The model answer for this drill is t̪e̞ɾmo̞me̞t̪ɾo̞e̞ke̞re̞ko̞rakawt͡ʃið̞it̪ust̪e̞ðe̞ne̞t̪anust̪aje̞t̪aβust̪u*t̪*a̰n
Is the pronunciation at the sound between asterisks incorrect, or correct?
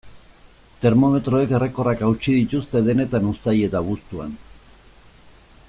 incorrect: none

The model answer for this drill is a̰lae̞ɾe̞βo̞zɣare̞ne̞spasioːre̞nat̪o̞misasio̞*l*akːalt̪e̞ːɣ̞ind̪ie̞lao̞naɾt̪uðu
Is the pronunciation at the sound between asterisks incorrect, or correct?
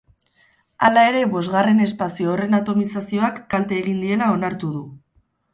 incorrect: none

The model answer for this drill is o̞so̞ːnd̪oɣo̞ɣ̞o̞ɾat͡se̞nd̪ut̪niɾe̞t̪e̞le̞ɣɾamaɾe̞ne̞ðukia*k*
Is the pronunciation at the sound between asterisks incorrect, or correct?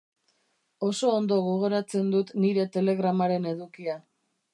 incorrect: none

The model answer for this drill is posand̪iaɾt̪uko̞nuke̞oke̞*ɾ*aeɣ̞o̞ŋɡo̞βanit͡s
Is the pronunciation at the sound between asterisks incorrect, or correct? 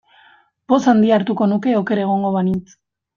correct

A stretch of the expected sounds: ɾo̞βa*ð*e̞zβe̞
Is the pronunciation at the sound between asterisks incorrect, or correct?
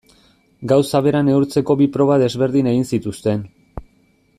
correct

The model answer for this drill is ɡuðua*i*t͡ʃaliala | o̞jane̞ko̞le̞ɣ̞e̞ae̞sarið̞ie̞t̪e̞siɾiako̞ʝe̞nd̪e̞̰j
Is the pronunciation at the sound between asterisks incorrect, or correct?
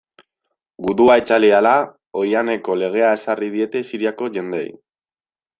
incorrect: e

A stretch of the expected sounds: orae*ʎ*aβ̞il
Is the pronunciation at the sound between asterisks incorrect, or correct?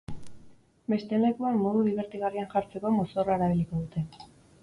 incorrect: ɾ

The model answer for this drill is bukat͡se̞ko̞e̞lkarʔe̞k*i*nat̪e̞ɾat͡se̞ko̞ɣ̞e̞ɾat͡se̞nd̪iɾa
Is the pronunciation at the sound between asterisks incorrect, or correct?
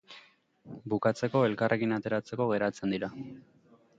correct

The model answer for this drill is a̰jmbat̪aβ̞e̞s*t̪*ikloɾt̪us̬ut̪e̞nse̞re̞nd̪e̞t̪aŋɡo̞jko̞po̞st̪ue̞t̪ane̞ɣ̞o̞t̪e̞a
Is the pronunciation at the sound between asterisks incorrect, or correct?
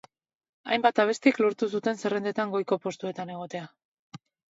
correct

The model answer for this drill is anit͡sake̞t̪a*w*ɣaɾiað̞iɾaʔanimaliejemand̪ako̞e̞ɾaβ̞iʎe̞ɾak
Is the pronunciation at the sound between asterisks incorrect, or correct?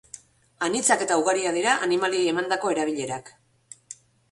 incorrect: u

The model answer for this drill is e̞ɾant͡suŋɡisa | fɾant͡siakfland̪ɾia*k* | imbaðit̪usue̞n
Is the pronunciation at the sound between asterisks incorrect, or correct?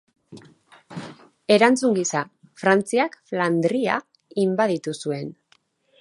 incorrect: none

